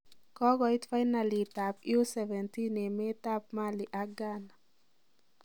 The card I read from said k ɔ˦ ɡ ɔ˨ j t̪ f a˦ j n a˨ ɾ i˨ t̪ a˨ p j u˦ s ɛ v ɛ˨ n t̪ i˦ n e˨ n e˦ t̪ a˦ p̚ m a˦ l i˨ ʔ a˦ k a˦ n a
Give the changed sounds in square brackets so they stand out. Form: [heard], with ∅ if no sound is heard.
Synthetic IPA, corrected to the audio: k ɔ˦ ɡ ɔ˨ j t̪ f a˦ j n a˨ [l] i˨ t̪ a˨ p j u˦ s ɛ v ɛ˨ n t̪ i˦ n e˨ [m] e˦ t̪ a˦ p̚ m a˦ l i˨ ʔ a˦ [ɡ] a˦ n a